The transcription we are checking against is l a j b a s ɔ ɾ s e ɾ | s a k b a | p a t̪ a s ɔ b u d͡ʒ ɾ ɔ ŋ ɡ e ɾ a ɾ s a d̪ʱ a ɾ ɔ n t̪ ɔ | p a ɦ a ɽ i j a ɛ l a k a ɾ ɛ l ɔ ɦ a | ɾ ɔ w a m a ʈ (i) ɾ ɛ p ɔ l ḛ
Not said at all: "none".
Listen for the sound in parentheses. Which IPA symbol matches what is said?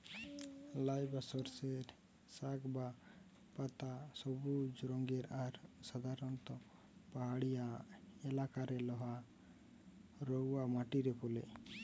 i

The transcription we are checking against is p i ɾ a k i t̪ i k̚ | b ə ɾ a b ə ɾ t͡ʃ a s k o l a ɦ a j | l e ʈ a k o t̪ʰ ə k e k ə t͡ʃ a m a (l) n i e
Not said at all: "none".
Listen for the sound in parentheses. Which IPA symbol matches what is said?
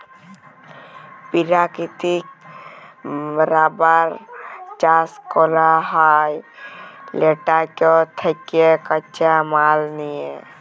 l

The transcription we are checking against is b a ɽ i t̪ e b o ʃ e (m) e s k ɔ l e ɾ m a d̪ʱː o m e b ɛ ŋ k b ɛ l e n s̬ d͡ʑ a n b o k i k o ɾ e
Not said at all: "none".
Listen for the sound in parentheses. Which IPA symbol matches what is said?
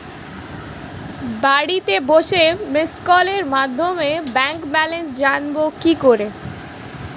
m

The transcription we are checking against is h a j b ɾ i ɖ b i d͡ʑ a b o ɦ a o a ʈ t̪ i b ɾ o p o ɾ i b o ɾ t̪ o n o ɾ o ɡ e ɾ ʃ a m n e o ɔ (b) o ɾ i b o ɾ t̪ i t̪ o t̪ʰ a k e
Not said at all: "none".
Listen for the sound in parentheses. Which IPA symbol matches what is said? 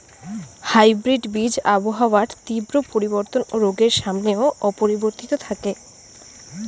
p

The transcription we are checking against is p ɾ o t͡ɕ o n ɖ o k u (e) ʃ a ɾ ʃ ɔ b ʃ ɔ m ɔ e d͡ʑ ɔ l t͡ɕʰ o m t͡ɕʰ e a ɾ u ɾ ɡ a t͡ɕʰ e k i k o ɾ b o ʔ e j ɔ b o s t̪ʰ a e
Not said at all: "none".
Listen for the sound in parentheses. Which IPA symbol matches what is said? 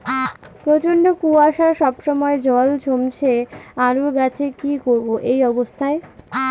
a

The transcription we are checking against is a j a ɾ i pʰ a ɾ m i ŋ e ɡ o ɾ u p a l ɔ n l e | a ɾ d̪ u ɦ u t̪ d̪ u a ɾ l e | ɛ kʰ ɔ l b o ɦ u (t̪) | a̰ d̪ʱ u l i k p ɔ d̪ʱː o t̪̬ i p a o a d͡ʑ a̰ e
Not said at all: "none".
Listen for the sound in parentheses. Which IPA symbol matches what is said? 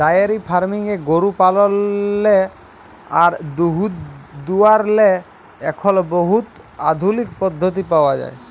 t̪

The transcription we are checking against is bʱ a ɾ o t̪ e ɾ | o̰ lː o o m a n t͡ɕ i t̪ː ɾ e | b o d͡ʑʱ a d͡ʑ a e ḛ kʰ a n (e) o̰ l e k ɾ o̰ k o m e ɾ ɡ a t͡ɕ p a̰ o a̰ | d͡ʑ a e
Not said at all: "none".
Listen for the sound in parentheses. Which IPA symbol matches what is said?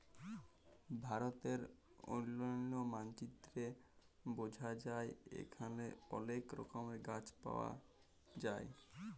e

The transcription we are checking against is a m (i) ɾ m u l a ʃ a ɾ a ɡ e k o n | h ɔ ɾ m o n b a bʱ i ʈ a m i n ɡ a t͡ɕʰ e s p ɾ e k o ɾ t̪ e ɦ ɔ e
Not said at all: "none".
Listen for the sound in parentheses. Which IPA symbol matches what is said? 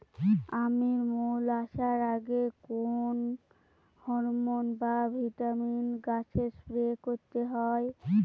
i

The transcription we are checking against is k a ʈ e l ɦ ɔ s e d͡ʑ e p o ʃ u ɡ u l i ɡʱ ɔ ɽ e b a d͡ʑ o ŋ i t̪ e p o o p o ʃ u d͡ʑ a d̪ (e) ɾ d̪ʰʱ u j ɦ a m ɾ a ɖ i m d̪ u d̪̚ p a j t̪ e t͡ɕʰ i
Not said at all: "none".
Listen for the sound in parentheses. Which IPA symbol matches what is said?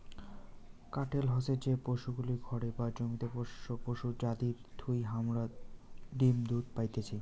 i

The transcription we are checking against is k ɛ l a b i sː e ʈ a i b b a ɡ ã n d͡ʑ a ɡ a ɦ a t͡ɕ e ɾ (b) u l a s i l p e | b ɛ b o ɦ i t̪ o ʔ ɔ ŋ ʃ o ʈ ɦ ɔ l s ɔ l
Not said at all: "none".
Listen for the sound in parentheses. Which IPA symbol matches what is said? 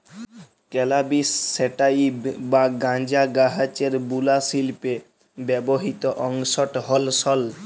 b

